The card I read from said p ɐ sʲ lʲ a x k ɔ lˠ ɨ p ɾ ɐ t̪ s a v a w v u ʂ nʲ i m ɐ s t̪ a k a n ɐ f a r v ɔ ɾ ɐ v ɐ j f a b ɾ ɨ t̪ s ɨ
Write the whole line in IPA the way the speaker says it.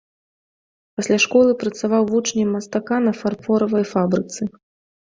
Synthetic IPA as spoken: p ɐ sʲ lʲ a ʂ k ɔ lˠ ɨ p ɾ ɐ t̪ s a v a w v u t͡ʂ nʲ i m ɐ s t̪ a k a n ɐ f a r f ɔ ɾ ɐ v ɐ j f a b ɾ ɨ t̪ s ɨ